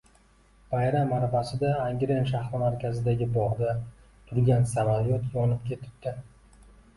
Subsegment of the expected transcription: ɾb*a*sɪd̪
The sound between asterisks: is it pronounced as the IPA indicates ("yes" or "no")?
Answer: yes